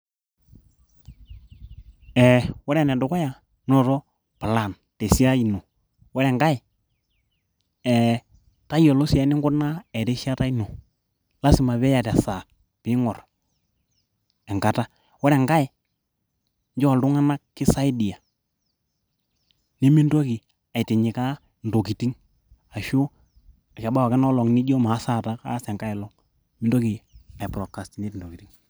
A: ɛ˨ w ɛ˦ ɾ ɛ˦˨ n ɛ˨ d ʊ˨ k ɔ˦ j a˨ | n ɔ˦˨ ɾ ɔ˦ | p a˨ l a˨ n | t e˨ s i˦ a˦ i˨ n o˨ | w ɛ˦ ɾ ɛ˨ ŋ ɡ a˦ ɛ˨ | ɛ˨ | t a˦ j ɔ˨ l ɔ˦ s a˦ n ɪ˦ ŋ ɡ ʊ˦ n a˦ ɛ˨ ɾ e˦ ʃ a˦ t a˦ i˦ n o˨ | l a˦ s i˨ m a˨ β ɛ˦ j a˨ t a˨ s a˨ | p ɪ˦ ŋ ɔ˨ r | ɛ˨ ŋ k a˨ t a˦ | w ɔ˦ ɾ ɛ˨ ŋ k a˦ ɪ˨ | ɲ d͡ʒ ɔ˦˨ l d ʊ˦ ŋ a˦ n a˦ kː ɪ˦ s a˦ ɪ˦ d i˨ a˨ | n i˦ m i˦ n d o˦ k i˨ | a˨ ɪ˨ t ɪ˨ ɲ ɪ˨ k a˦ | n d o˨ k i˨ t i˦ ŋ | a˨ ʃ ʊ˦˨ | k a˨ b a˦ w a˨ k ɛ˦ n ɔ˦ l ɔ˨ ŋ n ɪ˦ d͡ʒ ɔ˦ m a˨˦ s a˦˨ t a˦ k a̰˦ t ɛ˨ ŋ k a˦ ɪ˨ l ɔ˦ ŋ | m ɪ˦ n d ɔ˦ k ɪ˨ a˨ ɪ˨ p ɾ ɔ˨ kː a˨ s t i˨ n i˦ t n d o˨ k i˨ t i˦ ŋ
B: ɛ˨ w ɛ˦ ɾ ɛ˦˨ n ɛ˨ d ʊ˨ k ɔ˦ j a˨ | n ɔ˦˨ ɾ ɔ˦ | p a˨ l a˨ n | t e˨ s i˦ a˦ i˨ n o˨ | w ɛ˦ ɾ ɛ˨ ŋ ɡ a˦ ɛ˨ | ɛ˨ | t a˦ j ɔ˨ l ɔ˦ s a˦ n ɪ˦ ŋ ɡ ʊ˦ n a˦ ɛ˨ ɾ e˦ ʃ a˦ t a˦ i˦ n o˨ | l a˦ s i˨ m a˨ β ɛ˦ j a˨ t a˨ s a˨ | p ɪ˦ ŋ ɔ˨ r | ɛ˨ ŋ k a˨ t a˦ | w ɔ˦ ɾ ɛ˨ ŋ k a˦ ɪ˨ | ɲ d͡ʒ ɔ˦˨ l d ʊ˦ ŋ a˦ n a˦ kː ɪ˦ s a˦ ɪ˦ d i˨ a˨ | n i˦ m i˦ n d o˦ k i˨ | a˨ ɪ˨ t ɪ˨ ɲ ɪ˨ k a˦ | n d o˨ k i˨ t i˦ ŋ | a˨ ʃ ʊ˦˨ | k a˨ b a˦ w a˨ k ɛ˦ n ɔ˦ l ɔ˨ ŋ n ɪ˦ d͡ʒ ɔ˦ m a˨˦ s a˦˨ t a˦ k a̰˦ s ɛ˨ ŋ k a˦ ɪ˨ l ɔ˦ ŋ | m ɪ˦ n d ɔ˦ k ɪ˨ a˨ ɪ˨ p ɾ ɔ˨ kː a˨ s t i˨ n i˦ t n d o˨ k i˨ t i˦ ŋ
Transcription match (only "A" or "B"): B